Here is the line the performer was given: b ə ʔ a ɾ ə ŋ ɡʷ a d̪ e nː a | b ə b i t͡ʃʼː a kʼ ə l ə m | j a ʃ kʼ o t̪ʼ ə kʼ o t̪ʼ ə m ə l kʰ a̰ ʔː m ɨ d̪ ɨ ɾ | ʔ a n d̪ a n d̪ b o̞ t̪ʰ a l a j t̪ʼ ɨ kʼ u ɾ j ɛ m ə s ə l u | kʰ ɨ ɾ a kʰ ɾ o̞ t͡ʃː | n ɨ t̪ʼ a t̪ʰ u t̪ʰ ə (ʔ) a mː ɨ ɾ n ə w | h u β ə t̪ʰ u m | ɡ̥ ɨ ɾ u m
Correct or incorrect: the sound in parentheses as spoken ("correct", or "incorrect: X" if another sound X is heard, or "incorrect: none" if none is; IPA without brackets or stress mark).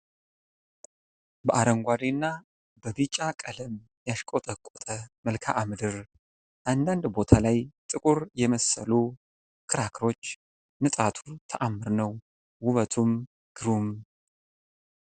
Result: correct